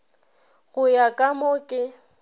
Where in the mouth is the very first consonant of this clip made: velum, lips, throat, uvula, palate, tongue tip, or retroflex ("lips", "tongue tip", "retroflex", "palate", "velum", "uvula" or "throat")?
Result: velum